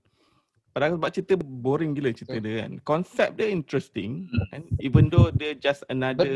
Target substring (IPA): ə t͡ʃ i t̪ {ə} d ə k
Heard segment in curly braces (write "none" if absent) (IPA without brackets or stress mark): ə